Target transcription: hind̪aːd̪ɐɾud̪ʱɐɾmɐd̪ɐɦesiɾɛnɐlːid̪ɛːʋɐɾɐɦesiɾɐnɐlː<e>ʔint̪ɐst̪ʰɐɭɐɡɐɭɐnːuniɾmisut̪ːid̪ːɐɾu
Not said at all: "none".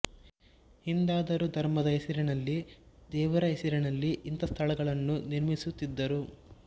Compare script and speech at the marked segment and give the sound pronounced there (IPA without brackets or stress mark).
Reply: i